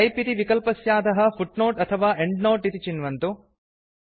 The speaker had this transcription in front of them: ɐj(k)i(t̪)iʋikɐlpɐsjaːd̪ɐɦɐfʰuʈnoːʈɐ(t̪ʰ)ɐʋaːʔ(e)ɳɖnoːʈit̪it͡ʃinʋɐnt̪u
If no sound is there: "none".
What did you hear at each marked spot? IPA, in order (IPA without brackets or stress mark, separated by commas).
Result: p, t̪, t̪ʰ, e